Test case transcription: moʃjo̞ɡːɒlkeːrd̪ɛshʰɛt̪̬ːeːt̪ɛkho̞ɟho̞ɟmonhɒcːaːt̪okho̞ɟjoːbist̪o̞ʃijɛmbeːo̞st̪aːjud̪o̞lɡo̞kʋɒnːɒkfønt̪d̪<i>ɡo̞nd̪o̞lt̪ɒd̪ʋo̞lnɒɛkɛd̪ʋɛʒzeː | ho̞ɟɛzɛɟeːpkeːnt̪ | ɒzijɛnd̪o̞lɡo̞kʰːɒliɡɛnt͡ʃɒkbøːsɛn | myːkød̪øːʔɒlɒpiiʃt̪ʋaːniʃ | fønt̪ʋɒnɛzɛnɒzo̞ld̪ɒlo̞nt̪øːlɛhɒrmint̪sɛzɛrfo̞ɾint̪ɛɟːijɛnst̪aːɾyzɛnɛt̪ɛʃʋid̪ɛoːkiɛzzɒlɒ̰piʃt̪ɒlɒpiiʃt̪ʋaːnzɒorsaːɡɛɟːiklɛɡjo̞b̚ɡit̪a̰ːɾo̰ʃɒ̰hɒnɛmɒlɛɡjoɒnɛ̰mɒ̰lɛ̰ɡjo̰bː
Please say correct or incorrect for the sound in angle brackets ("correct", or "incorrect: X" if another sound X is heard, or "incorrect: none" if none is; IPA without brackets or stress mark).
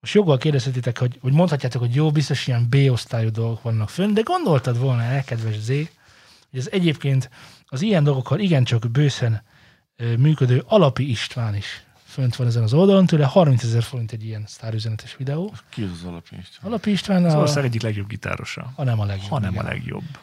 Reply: incorrect: ɛ